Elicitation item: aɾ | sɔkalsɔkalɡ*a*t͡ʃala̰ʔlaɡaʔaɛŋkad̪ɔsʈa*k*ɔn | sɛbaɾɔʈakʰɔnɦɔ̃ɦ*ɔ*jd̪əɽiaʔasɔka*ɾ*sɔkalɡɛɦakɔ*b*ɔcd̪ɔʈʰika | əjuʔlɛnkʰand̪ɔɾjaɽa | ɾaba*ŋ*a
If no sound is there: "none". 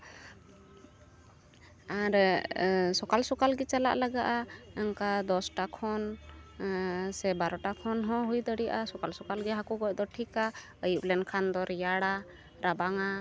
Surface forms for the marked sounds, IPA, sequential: ɛ, kʰ, u, l, ɡ, ŋ

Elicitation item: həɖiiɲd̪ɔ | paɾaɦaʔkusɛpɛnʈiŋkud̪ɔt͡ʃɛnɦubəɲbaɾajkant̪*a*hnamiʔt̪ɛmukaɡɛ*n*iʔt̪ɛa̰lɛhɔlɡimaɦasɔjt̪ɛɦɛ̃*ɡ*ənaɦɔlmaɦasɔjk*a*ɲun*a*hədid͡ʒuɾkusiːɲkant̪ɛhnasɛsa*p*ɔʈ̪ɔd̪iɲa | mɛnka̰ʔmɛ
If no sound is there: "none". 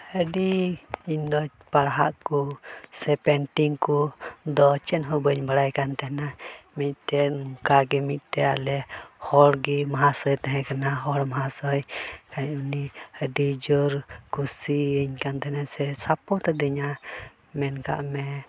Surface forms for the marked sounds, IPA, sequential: ɛ, m, k, a, i, p

